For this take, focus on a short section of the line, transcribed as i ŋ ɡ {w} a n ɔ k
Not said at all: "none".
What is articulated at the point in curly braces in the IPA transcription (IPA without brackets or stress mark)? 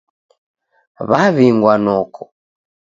w